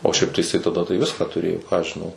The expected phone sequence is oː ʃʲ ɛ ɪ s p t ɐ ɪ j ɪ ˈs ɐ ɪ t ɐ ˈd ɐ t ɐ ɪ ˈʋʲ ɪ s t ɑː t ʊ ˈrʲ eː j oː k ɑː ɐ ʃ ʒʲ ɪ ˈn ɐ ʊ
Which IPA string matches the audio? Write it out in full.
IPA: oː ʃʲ ɛ ɪ p t ɐ ɪ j ɪ ˈs ɐ ɪ t ɐ ˈd ɐ t ɐ ɪ ˈʋʲ ɪ s k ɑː t ʊ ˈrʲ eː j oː k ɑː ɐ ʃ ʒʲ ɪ ˈn ɐ ʊ